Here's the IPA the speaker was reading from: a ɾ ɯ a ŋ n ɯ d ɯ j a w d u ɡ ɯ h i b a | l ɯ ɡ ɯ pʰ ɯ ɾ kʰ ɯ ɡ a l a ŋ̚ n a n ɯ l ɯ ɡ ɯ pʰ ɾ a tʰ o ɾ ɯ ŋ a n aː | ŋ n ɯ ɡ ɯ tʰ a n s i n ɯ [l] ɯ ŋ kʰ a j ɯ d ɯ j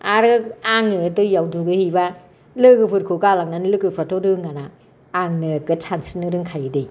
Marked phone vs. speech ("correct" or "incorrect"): incorrect